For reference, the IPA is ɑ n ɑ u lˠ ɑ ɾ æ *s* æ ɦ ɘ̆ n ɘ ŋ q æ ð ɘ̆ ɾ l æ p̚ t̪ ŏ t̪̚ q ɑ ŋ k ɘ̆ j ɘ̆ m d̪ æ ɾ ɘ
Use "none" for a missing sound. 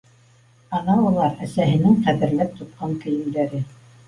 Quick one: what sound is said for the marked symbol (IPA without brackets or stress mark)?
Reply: s